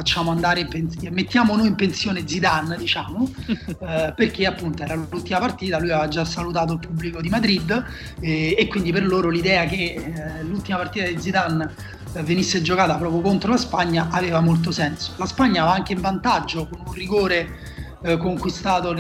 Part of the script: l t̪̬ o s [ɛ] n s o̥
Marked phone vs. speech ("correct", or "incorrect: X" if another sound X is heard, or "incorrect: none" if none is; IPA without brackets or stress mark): correct